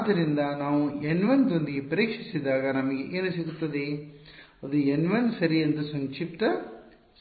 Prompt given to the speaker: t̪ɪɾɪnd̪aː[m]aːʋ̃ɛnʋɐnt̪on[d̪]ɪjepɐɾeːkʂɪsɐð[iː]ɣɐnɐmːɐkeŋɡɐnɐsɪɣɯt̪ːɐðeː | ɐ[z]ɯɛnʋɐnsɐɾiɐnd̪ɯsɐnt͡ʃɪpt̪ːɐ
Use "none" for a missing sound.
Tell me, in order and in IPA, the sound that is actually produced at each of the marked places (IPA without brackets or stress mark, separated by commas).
n, d̪, aː, ð